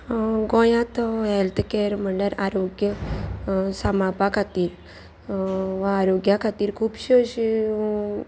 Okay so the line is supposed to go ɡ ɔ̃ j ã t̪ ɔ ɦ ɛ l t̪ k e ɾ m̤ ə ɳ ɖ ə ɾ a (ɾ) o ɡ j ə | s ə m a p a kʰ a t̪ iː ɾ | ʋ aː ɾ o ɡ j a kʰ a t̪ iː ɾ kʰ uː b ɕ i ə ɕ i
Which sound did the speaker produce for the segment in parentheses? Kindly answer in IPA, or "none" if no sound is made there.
ɾ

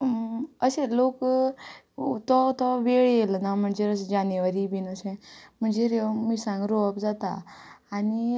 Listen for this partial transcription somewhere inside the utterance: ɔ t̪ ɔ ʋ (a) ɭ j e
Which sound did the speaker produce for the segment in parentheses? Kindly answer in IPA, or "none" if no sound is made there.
e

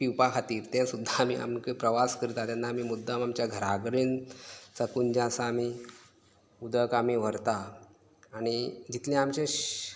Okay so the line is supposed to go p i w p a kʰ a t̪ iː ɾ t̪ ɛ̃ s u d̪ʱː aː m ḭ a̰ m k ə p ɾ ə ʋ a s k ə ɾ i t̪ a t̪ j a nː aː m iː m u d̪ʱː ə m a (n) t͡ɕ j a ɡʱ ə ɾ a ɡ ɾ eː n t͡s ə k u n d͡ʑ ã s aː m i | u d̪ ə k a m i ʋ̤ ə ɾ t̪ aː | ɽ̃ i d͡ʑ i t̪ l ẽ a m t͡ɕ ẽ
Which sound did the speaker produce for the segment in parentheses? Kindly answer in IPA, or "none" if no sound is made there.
m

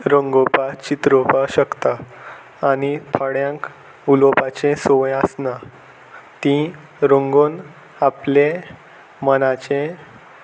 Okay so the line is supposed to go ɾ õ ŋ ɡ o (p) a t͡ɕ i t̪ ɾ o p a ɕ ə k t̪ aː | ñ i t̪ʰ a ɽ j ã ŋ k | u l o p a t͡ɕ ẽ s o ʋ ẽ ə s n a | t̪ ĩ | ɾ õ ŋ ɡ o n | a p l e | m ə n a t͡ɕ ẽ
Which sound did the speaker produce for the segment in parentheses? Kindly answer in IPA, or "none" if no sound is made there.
p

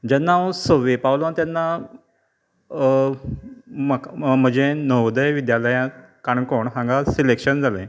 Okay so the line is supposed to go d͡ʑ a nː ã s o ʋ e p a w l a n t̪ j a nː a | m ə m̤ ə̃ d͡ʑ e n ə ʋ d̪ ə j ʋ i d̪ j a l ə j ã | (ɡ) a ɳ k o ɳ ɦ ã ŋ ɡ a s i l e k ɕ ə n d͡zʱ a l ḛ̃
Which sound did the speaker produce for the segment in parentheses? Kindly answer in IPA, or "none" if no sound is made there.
k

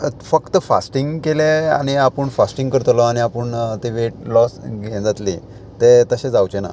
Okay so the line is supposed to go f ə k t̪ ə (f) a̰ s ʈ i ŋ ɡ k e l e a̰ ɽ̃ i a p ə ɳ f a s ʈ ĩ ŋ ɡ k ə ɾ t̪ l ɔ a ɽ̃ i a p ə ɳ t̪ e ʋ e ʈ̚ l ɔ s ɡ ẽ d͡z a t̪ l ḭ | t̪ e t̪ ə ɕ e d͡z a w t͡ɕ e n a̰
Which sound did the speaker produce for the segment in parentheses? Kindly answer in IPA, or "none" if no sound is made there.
f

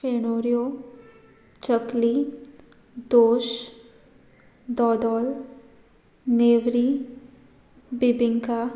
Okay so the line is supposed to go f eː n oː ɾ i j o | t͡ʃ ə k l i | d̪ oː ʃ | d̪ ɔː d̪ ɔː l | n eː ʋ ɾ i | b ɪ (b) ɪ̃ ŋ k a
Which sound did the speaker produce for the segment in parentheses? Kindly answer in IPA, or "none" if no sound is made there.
b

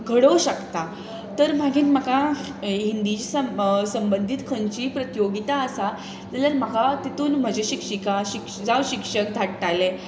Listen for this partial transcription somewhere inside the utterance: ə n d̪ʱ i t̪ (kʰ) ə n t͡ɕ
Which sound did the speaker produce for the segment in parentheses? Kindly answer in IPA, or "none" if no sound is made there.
kʰ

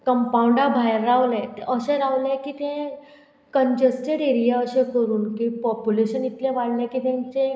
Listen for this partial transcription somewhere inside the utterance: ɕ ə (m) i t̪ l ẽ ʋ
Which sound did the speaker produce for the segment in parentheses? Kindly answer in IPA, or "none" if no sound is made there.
n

